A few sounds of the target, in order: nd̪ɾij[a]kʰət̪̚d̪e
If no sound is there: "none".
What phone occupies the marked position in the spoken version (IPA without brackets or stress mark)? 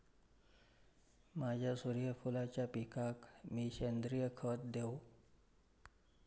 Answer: ə